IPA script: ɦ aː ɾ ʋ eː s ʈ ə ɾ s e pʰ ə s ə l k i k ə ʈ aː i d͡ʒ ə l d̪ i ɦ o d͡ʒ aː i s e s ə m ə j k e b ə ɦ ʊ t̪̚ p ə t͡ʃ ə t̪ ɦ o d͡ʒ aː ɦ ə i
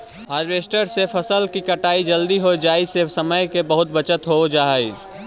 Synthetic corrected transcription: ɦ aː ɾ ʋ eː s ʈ ə ɾ s e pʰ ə s ə l k i k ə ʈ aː i d͡ʒ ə l d̪ i ɦ o d͡ʒ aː i s e s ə m ə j k e b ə ɦ ʊ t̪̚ b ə t͡ʃ ə t̪ ɦ o d͡ʒ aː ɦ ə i

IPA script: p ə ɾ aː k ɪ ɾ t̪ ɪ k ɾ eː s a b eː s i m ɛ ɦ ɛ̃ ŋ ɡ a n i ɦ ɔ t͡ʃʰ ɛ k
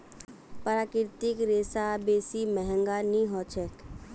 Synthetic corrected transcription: p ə ɾ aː k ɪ ɾ t̪ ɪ k ɾ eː s a b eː s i m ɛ ɦ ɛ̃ ŋ ɡ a n i ɦ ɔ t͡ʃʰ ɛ k

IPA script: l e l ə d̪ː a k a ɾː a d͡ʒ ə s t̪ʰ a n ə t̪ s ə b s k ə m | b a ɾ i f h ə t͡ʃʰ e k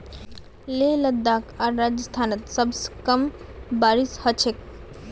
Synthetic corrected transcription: l e l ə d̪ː a k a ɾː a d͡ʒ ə s t̪ʰ a n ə t̪ s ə b s k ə m | b a ɾ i s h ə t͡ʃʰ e k

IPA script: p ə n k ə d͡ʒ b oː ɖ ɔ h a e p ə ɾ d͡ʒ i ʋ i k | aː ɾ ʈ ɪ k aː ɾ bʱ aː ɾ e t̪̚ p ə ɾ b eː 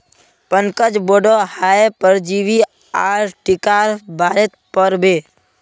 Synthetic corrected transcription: p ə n k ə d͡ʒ b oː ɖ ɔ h a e p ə ɾ d͡ʒ i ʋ i | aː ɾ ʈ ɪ k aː ɾ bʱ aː ɾ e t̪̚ p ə ɾ b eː

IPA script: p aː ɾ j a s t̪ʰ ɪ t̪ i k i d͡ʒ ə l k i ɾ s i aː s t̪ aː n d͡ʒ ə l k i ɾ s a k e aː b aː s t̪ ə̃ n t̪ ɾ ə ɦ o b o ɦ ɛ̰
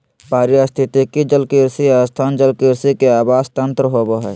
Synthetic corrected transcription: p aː ɾ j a s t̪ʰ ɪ t̪ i k i d͡ʒ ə l k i ɾ s i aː s t̪ʰ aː n d͡ʒ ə l k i ɾ s i k e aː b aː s t̪ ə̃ n t̪ ɾ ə ɦ o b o ɦ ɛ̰

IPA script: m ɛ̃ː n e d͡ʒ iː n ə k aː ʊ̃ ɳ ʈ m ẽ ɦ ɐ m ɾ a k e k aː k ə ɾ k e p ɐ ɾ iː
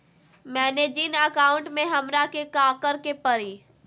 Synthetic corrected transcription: m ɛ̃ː n e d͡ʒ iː n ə k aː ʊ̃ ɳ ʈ m ẽ ɦ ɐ m ɾ a k e k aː k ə ɾ k e p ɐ ɾ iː

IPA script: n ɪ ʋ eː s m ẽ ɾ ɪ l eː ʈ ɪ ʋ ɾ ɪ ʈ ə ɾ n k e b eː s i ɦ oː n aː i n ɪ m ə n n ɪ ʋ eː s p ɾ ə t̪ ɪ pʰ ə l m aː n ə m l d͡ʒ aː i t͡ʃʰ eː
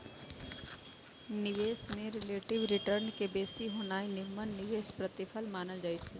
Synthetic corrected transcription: n ɪ ʋ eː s m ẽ ɾ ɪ l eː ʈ ɪ ʋ ɾ ɪ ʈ ə ɾ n k e b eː s i ɦ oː n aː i n ɪ m ə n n ɪ ʋ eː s p ɾ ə t̪ ɪ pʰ ə l m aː n ə l d͡ʒ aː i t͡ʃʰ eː

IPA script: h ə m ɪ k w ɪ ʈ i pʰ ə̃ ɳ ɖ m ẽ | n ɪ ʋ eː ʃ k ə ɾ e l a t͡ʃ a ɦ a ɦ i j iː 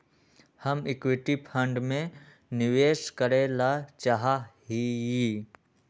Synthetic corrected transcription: h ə m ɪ k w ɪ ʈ i pʰ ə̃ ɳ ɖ m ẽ | n ɪ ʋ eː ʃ k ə ɾ e l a t͡ʃ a ɦ a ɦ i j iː

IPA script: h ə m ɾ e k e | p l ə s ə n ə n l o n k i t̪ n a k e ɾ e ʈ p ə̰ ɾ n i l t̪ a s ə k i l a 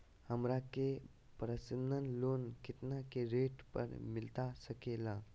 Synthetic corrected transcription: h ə m ɾ a k e | p ɾ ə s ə n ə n l o n k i t̪ n a k e ɾ e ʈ p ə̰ ɾ m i l t̪ a s ə k e l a

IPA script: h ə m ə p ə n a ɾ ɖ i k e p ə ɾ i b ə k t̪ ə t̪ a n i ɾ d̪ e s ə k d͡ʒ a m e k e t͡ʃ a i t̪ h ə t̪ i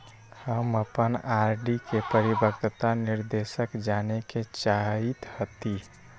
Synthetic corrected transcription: h ə m ə p ə n a ɾ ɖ i k e p ə ɾ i b ə k t̪ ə t̪ a n i ɾ d̪ e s ə k d͡ʒ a n e k e t͡ʃ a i t̪ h ə t̪ i

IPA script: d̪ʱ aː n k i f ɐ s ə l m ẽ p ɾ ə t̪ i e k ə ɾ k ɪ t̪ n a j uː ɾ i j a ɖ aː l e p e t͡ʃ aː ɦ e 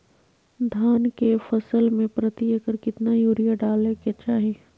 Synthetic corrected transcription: d̪ʱ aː n k e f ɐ s ə l m ẽ p ɾ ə t̪ i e k ə ɾ k ɪ t̪ n a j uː ɾ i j a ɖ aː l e k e t͡ʃ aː ɦ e

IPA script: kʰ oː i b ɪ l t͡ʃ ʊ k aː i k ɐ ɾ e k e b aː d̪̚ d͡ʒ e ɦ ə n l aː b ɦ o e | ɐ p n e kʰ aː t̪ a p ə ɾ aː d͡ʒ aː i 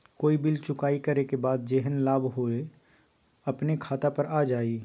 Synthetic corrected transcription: k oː i b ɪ l t͡ʃ ʊ k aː i k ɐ ɾ e k e b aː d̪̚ d͡ʒ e ɦ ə n l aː b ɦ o e | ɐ p n e kʰ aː t̪ a p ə ɾ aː d͡ʒ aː i

